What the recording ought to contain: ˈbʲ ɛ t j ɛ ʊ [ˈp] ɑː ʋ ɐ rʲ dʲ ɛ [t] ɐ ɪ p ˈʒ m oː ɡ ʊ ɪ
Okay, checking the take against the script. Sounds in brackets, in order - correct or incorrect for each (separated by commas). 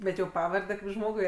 correct, incorrect